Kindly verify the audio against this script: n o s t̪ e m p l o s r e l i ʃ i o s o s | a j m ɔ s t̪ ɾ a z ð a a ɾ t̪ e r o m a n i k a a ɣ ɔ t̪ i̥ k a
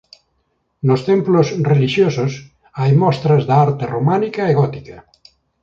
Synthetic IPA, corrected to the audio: n o s t̪ e m p l o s r e l i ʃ j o s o s | a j m ɔ s t̪ ɾ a z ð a a ɾ t̪ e r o m a n i k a e ɣ ɔ t̪ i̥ k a